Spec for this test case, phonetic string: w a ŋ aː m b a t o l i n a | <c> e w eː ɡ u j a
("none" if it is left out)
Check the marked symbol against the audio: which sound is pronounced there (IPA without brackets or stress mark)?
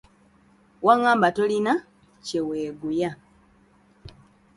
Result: c